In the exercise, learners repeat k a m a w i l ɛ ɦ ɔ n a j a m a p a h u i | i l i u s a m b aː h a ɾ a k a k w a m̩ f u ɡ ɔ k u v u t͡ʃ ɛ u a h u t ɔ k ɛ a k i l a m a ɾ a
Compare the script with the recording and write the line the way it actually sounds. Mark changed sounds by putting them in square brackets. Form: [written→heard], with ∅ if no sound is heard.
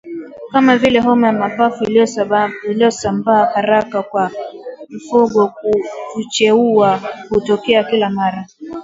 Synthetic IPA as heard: k a m a [w→v] i l ɛ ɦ ɔ [n→m] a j a m a p a [h→f] u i | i l i [u→ɔ] s a m b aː h a ɾ a k a k w a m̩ f u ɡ ɔ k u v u t͡ʃ ɛ u a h u t ɔ k ɛ a k i l a m a ɾ a